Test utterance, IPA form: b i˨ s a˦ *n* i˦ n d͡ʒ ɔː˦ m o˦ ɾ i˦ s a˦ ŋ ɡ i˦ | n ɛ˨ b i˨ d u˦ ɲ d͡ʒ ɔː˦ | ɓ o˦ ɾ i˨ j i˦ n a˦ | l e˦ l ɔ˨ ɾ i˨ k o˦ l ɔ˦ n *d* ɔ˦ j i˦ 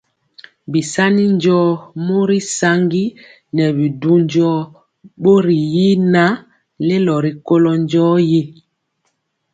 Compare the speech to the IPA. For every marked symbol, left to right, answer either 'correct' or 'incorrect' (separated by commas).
correct, incorrect